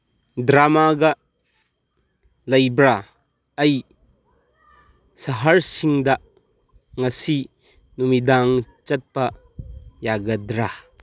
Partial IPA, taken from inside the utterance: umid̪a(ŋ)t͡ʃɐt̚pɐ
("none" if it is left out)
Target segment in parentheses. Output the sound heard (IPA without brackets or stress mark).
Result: ŋ